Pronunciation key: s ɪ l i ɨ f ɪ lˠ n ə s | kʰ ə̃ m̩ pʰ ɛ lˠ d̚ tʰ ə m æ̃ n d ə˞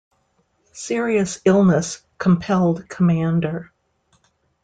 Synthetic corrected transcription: s ɪ ɹ i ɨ s ɪ lˠ n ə s | kʰ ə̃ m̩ pʰ ɛ lˠ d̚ kʰ ə m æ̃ n d ə˞